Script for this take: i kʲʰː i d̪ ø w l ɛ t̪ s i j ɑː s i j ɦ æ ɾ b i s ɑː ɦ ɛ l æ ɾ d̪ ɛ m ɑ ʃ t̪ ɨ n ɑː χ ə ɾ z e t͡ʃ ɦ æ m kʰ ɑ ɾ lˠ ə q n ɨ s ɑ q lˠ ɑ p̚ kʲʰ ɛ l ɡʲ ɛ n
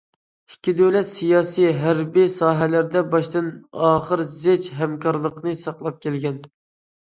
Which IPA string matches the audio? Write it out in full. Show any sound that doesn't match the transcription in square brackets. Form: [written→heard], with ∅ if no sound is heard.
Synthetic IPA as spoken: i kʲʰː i d̪ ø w l ɛ t̪ s i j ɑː s i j ɦ æ ɾ b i s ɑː ɦ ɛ l æ ɾ d̪ ɛ [m→b] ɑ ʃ t̪ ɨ n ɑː χ ə ɾ z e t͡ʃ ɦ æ m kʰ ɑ ɾ lˠ ə q n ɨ s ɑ q lˠ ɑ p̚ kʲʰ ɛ l ɡʲ ɛ n